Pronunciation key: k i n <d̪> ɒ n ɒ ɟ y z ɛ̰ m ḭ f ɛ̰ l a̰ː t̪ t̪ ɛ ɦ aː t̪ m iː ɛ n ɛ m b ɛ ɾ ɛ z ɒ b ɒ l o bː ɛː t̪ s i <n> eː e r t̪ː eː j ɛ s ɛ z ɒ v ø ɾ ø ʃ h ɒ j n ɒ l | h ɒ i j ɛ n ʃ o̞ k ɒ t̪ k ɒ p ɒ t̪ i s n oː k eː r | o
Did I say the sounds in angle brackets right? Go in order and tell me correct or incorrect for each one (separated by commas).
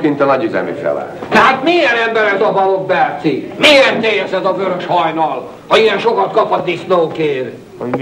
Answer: incorrect, incorrect